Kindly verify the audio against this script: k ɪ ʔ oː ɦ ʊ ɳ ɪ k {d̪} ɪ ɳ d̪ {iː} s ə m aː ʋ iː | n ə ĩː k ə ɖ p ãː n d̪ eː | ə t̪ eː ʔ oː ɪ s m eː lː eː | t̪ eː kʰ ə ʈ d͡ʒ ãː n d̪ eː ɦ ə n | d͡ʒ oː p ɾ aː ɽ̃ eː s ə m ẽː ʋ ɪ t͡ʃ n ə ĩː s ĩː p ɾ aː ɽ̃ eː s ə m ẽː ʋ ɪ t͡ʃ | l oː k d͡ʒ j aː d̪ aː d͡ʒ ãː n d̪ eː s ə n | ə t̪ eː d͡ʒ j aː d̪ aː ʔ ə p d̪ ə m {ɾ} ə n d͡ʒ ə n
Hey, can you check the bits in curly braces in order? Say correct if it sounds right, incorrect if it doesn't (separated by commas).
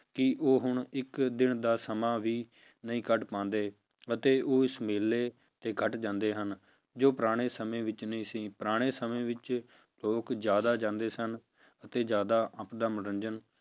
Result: correct, incorrect, correct